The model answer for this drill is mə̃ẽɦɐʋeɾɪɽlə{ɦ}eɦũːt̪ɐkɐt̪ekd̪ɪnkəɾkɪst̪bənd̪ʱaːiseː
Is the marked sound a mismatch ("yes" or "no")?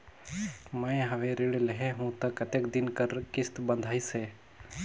no